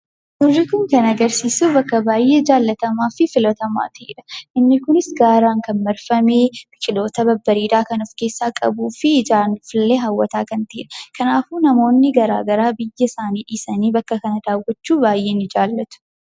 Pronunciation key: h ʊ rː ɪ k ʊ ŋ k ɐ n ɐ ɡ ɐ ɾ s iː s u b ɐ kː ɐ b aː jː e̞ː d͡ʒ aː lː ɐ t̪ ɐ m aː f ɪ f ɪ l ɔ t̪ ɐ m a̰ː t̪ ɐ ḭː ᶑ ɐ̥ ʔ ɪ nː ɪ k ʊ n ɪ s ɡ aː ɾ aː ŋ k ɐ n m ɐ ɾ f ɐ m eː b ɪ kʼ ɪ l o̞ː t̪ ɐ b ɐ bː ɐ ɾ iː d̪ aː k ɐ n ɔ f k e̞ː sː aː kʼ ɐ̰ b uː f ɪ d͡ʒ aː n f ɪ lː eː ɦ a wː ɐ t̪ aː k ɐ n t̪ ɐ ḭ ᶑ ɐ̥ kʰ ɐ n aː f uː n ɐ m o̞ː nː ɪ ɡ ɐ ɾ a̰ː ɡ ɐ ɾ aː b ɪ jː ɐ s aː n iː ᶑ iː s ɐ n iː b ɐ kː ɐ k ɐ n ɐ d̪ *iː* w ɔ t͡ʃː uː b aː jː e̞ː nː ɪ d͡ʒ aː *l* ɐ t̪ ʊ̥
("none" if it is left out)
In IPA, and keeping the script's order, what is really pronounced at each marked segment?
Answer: aː, lː

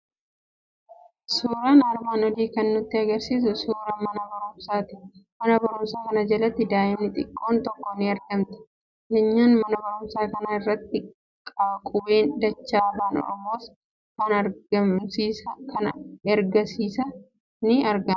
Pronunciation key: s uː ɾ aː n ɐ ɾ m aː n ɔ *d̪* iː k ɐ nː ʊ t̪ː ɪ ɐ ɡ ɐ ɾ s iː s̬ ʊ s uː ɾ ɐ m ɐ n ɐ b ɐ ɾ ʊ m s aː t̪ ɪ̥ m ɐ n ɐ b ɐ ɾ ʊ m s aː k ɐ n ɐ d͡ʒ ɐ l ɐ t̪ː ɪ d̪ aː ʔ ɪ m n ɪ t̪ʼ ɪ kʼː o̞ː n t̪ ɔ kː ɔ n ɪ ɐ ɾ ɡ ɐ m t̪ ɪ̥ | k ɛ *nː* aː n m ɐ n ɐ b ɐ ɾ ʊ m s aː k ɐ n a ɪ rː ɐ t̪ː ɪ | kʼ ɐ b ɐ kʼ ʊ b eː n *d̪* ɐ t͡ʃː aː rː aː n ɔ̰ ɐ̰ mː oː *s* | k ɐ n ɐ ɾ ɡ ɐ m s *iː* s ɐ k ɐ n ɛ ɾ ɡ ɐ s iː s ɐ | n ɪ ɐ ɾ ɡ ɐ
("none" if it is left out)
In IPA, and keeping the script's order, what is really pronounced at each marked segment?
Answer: d̪, ɲː, d̪, s, iː

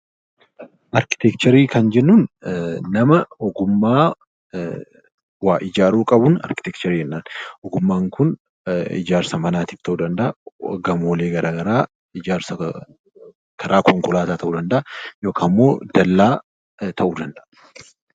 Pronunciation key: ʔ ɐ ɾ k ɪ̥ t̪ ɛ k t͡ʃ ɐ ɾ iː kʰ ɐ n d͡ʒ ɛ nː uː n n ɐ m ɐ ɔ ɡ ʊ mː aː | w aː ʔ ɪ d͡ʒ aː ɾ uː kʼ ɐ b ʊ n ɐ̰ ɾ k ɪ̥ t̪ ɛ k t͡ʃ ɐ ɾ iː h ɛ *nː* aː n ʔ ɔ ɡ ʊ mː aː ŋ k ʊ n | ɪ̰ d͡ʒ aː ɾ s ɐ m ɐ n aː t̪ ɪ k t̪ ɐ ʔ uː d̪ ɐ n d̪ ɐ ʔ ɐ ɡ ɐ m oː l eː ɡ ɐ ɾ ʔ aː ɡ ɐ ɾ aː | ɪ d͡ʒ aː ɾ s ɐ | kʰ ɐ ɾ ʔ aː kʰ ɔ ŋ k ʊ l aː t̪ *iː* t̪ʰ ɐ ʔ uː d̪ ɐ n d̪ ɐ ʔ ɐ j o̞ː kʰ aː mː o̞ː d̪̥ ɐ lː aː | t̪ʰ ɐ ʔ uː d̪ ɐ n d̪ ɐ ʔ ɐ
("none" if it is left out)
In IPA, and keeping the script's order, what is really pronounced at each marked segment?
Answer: nː, aː

